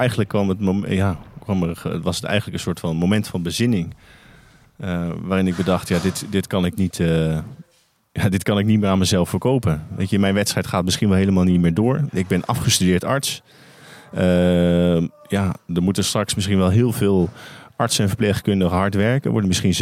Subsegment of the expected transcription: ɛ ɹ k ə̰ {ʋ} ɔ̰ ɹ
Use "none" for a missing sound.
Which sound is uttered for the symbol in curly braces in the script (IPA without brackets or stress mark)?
ʋ